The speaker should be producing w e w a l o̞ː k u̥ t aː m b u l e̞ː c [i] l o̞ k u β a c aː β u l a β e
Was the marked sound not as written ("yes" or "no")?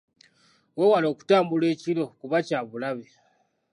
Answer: no